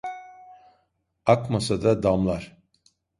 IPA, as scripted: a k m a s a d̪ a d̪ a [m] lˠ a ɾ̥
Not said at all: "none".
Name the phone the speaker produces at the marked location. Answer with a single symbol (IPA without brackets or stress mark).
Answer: m